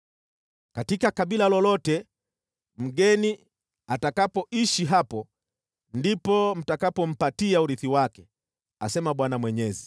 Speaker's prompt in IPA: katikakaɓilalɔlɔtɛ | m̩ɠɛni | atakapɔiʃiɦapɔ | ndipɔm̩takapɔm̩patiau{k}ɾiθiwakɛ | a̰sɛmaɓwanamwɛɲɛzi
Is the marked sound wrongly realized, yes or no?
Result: yes